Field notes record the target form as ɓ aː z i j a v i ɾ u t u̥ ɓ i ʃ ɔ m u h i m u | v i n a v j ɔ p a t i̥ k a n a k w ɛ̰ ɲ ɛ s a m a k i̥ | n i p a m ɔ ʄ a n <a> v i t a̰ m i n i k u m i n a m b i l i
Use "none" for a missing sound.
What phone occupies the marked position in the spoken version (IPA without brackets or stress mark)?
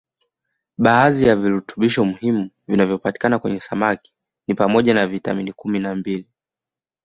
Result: a